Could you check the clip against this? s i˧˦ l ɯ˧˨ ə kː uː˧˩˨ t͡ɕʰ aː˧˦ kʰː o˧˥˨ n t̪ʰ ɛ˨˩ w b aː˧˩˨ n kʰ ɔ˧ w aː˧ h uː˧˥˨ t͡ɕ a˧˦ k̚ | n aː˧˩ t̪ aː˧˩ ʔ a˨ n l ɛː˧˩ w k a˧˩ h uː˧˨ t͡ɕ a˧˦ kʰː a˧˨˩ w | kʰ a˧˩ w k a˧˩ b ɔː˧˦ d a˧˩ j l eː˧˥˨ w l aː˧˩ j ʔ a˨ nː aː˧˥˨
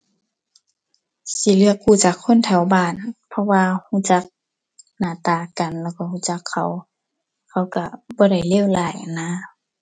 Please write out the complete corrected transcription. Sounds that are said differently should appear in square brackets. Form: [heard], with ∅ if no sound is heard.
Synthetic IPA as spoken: s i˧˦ l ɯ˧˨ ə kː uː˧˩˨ [t͡ɕ] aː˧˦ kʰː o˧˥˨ n t̪ʰ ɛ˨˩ w b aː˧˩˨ n [pʰ] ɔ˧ w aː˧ h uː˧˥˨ t͡ɕ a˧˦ k̚ | n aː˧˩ t̪ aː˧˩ [k] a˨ n l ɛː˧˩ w k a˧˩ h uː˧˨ t͡ɕ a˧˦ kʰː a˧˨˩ w | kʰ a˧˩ w k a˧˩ b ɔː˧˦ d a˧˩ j l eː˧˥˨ w l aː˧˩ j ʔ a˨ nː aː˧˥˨